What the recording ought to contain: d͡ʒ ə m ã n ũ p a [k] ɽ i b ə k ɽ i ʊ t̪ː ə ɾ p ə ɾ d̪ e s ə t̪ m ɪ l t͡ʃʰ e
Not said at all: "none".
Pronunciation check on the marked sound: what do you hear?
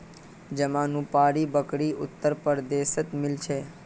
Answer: none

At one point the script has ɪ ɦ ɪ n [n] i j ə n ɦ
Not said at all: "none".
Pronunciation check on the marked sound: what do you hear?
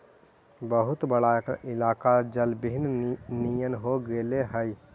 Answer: n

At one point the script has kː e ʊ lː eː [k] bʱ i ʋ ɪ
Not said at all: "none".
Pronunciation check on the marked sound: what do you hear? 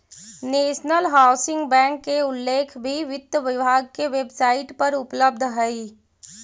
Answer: kʰ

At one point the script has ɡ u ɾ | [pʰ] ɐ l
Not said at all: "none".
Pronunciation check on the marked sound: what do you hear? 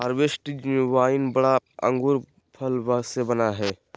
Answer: pʰ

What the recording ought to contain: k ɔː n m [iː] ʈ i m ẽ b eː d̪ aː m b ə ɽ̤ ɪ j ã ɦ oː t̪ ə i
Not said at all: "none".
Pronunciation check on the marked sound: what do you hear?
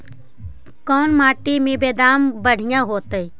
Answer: aː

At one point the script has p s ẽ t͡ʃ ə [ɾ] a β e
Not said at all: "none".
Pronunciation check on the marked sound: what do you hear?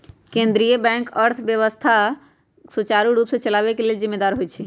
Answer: l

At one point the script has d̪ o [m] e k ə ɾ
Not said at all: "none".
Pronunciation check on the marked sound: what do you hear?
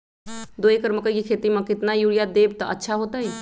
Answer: none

